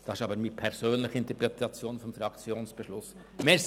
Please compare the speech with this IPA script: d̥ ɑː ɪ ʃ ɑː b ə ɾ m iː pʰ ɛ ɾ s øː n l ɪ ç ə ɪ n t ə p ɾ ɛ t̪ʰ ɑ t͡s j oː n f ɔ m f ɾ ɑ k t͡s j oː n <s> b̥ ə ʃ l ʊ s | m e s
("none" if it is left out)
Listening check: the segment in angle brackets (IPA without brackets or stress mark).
s